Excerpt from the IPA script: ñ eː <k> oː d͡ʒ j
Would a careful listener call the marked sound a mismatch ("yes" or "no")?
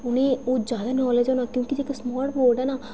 yes